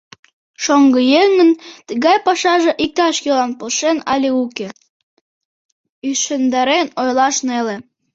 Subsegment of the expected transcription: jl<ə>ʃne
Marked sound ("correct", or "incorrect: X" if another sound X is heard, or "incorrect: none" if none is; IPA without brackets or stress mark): incorrect: ɑ